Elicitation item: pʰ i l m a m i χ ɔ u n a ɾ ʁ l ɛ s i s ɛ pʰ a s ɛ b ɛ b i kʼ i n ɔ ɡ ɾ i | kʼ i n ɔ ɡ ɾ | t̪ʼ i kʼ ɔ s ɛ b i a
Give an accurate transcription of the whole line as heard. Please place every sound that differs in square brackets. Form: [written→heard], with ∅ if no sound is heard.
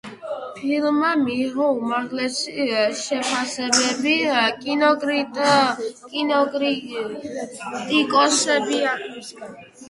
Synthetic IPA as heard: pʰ i l m a m i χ ɔ u [n→m] a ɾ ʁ l ɛ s i [s→ʃ] ɛ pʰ a s ɛ b ɛ b i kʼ i n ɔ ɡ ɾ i | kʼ i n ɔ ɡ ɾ | t̪ʼ i kʼ ɔ s ɛ b i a